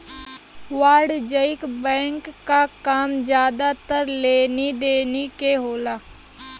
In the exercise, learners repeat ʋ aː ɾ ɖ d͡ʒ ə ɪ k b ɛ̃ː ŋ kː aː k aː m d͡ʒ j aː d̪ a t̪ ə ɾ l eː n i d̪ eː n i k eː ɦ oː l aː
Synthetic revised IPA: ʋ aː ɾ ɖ d͡ʒ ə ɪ k b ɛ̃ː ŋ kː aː k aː m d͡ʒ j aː d̪ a t̪ ə ɾ l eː n i d̪ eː n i k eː ɦ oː l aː